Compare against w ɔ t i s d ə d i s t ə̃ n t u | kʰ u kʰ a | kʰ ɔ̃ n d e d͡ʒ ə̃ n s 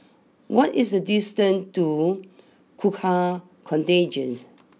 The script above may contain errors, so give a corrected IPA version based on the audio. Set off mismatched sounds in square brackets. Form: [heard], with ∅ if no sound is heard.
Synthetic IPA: w ɔ t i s d ə d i s t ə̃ n t u | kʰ u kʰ a | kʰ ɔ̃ n [t] e d͡ʒ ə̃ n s